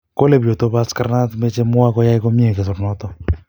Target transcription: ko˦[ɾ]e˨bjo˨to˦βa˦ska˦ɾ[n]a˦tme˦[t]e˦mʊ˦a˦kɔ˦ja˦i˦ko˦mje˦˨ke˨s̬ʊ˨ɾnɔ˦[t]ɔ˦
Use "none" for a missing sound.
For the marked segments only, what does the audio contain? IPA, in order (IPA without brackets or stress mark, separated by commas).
l, n, t͡ʃ, t